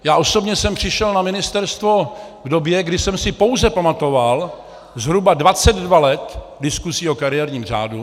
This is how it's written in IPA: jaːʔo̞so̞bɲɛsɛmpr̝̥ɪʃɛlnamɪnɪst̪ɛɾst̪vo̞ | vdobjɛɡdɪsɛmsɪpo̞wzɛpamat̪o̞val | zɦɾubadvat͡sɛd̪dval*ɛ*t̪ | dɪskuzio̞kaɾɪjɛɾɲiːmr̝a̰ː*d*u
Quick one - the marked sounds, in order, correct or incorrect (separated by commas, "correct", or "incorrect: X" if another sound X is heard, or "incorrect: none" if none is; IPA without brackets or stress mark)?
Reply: correct, correct